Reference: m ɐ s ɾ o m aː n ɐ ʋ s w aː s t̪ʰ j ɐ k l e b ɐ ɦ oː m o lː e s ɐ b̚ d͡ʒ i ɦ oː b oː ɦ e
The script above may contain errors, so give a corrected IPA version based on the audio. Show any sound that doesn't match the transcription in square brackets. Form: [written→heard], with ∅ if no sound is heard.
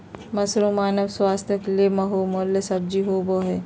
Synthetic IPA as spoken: m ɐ s ɾ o m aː n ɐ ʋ s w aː s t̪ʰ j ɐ k l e [b→m] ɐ ɦ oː m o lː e s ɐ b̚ d͡ʒ i ɦ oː b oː ɦ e